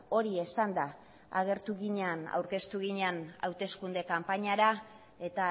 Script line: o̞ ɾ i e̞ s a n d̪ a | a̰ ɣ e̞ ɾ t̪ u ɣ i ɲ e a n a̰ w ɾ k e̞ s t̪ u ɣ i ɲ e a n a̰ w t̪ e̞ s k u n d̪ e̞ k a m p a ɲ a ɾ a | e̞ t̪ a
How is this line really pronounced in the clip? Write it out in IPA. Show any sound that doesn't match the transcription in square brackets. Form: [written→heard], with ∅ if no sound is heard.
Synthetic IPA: o̞ ɾ i e̞ s a n d̪ a | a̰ ɣ e̞ ɾ t̪ u ɣ i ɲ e a n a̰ w ɾ k e̞ s t̪ u ɣ i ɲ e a n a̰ w t̪ e̞ s k u n d̪ e̞ k a m p a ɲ a ɾ a | e̞ t̪ a